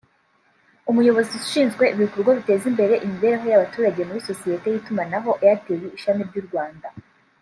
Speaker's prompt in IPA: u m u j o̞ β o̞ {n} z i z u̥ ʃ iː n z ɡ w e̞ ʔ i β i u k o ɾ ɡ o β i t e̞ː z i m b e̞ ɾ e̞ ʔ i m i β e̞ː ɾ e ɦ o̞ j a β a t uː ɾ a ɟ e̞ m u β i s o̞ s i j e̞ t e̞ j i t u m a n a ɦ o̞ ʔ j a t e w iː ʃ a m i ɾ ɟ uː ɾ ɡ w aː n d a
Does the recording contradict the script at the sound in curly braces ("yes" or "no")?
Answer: yes